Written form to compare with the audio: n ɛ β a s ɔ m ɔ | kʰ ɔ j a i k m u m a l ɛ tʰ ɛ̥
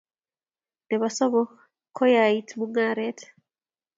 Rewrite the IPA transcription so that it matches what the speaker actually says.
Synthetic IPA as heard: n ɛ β a s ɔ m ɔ | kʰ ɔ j a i t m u ŋ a ɾ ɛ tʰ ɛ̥